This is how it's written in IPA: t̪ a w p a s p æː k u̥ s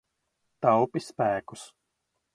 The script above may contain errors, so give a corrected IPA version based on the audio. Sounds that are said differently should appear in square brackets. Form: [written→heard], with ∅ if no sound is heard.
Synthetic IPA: t̪ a w p [a→i] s p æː k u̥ s